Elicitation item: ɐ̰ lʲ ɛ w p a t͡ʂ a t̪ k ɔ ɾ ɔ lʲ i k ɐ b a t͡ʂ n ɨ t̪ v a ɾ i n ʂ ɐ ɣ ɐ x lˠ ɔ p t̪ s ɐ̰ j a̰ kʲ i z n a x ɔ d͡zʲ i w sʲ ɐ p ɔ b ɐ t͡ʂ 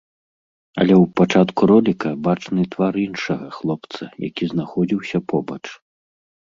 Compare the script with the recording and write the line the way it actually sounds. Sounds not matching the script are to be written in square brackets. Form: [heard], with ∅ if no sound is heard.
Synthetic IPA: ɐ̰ lʲ ɛ w p a t͡ʂ a t̪ k [u] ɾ ɔ lʲ i k ɐ b a t͡ʂ n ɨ t̪ v a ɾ i n ʂ ɐ ɣ ɐ x lˠ ɔ p t̪ s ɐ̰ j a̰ kʲ i z n a x ɔ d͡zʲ i w sʲ ɐ p ɔ b ɐ t͡ʂ